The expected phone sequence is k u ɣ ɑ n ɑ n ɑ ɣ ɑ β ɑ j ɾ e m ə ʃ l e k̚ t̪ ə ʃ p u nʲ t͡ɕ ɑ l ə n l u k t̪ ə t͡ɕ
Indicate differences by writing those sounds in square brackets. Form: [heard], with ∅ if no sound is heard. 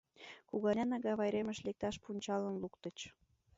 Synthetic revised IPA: k u ɣ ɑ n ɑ n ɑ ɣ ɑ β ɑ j ɾ e m ə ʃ l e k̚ t̪ [ɑ] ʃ p u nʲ t͡ɕ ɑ l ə n l u k t̪ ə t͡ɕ